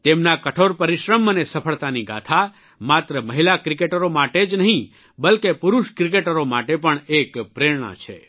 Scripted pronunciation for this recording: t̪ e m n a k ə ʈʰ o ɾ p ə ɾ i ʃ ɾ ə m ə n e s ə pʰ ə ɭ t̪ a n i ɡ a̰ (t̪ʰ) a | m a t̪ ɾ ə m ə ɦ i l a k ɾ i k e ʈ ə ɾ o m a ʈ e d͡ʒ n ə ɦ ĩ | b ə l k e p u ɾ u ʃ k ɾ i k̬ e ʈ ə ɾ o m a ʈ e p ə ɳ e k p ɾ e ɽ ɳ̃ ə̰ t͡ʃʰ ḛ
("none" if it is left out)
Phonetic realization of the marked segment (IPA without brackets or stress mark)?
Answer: t̪ʰ